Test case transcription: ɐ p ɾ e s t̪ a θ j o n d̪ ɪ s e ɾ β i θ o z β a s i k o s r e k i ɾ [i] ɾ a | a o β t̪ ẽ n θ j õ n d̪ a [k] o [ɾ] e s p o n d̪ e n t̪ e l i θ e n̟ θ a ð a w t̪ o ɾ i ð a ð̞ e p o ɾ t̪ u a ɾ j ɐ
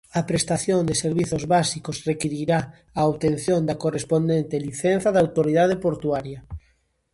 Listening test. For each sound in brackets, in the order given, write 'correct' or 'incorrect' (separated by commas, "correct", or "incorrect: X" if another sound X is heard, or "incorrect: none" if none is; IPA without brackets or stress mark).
correct, correct, incorrect: r